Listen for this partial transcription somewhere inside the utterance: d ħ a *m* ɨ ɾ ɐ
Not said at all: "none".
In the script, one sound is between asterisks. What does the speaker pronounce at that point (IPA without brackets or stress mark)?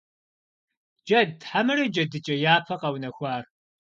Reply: m